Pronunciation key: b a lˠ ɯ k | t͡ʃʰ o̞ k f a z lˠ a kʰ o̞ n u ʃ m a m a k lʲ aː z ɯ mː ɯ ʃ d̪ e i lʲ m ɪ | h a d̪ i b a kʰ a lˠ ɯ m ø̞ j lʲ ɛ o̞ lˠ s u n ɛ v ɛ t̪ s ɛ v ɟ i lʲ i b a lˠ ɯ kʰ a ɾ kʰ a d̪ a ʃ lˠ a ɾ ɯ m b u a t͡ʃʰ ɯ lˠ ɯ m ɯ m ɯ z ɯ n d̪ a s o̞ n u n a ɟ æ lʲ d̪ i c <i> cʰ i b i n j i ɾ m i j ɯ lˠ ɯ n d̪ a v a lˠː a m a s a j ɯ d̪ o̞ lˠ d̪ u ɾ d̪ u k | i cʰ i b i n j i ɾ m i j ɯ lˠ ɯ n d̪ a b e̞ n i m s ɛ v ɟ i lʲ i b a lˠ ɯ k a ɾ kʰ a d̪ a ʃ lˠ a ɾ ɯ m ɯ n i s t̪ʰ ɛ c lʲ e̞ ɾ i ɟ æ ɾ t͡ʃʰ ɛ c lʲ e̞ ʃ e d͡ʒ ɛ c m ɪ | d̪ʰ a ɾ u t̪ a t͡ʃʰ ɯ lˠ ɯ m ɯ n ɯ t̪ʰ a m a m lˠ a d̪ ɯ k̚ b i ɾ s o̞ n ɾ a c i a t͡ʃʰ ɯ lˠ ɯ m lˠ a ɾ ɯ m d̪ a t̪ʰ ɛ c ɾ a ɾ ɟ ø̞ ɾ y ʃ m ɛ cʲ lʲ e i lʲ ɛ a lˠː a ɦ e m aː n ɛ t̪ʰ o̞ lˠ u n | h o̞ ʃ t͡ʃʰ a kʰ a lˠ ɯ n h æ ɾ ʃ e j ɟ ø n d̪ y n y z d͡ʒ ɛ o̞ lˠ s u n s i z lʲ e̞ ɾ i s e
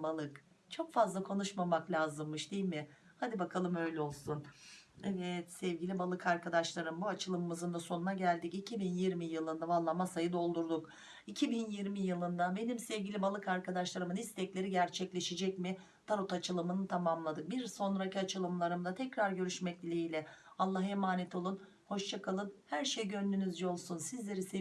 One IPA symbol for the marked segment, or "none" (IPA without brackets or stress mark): i